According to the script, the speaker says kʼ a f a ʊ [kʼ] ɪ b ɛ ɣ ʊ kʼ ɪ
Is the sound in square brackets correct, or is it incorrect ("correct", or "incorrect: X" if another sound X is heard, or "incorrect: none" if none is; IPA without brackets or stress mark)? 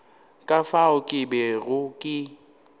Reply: correct